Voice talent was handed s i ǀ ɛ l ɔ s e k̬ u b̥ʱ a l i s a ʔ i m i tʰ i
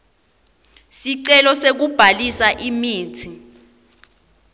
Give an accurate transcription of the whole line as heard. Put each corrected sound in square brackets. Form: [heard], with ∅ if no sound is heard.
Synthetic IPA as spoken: s i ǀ ɛ l ɔ s e k̬ u b̥ʱ a l i s a ʔ i m [iː] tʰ i